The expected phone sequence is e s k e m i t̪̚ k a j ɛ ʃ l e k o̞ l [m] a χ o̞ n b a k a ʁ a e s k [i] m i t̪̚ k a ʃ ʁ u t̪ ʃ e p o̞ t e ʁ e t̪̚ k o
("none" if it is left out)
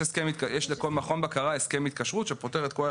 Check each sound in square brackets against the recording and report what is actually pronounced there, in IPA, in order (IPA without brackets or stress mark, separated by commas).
m, e